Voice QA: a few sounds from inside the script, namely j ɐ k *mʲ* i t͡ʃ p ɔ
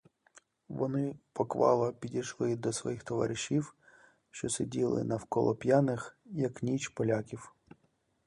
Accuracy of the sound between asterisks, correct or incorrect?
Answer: incorrect: nʲ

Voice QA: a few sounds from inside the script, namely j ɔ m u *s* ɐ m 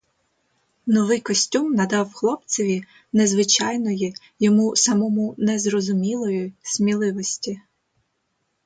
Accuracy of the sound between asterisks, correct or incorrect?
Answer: correct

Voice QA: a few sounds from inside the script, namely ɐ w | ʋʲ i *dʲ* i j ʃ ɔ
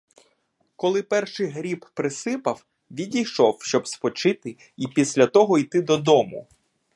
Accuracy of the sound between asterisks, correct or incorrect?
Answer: correct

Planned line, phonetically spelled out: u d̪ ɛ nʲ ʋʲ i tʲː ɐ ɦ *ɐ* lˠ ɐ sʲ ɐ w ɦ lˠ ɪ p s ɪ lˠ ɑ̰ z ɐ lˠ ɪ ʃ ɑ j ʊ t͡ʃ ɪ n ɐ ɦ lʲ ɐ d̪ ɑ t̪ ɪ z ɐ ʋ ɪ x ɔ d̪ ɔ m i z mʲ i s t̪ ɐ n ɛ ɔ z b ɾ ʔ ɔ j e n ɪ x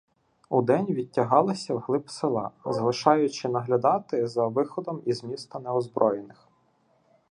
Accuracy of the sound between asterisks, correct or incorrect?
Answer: incorrect: ɑ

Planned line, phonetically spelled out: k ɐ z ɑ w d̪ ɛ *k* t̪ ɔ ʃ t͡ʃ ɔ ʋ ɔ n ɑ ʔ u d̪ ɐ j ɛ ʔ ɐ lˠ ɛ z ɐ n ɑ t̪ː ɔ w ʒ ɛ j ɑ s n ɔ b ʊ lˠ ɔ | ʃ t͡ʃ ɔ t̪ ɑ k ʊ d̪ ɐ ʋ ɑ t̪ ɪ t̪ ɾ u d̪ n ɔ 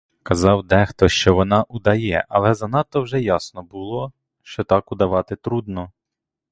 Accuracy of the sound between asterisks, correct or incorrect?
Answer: incorrect: x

